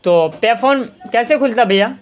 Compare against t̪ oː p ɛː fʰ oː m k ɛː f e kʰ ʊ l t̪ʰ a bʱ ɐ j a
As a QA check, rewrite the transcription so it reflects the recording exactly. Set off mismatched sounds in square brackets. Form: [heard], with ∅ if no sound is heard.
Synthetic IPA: t̪ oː p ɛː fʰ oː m k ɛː [s] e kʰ ʊ l [t̪] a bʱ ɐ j a